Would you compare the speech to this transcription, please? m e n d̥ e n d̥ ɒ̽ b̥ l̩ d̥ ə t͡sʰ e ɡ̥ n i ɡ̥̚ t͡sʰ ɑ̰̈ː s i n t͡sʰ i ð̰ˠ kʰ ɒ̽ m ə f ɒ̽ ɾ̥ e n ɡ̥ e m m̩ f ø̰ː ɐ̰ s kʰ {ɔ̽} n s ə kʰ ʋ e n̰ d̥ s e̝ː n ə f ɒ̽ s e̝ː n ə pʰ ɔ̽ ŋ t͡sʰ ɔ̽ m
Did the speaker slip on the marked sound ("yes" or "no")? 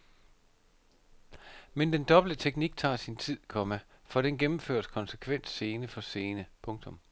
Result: yes